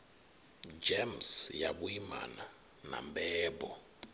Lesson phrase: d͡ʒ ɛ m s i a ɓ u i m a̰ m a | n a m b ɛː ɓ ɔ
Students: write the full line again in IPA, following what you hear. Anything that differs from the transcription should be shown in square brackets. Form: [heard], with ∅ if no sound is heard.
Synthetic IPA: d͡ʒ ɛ m s [j] a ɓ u i m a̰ [n] a | n a m b ɛː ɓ ɔ